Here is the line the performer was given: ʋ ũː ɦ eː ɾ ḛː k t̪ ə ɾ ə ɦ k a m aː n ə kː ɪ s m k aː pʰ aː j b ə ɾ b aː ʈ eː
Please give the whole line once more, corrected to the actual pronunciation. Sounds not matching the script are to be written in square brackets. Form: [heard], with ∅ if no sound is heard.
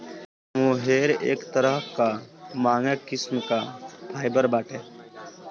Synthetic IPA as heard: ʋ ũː ɦ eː ɾ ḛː k t̪ ə ɾ ə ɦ k a m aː [ŋ] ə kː ɪ s m k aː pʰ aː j b ə ɾ b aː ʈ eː